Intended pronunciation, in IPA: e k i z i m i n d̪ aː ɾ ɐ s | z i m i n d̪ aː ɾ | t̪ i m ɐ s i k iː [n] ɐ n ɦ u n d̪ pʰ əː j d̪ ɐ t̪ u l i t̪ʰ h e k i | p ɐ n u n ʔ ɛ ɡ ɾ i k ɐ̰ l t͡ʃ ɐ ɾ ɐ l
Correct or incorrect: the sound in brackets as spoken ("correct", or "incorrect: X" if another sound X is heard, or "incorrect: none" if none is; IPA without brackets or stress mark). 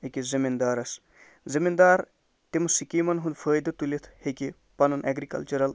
incorrect: m